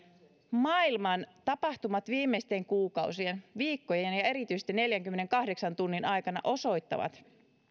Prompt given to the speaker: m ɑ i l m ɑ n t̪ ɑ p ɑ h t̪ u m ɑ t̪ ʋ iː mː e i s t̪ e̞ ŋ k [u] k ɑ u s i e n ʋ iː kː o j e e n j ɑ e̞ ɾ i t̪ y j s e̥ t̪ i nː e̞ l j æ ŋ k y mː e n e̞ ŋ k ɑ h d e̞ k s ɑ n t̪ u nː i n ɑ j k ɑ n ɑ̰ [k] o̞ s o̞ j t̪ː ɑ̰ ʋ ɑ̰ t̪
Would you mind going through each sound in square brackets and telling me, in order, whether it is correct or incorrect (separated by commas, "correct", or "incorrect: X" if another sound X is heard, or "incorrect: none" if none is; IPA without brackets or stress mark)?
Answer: incorrect: uː, incorrect: ʔ